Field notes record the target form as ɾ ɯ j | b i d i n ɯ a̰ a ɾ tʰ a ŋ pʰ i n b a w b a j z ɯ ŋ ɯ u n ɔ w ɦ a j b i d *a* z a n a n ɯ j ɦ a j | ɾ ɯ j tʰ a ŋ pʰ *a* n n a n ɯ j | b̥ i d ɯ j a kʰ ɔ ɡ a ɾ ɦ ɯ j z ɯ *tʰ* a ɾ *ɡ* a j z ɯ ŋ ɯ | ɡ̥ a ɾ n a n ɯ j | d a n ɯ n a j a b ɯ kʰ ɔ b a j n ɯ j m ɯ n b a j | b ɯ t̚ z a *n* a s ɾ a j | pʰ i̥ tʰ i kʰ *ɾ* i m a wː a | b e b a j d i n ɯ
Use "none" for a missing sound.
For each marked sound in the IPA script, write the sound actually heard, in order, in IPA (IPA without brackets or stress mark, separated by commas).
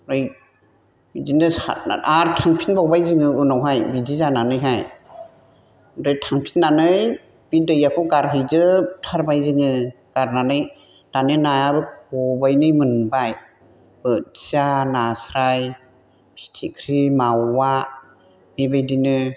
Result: i, i, tʰ, b, n, ɾ